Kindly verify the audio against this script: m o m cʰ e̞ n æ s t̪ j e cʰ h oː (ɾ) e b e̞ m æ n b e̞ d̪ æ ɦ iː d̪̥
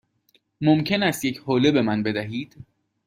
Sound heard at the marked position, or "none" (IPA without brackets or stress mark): l